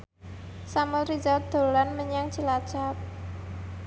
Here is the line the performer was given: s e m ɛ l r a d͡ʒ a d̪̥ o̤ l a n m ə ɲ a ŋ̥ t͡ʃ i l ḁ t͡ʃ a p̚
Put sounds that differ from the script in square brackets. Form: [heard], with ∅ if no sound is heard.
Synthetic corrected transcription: s [a] m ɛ l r [i] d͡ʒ a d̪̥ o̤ l a n m ə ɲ a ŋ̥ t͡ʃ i l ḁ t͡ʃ a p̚